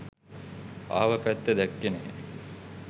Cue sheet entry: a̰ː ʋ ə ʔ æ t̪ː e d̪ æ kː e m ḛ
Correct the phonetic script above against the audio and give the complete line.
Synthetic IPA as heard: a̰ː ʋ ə p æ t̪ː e d̪ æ kː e n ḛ